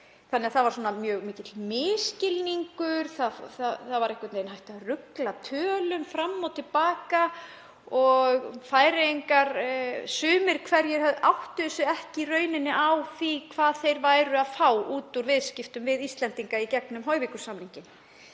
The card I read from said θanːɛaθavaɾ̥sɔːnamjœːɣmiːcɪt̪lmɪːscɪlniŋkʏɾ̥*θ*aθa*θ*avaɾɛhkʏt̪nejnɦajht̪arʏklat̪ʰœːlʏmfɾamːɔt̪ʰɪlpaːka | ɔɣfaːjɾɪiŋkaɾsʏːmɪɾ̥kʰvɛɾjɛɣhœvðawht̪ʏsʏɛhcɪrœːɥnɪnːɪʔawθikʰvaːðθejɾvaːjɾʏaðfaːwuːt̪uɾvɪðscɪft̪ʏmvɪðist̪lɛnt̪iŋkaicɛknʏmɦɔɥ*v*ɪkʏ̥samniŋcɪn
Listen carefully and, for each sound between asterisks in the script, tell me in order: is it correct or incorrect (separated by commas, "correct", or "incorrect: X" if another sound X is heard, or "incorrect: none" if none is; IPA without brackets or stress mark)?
correct, correct, correct